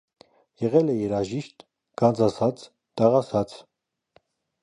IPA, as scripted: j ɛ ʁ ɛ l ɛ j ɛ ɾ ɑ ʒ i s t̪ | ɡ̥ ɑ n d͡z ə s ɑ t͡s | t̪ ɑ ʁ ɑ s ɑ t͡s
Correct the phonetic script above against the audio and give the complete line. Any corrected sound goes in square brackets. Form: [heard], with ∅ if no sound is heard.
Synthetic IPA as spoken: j ɛ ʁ ɛ l ɛ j ɛ ɾ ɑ ʒ i [ʃ] t̪ | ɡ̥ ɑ n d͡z [ɑ] s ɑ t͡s | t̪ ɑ ʁ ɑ s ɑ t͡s